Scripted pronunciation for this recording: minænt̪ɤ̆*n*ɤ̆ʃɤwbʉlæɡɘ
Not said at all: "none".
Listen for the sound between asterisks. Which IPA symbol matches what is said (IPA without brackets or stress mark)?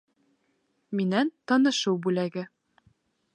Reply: n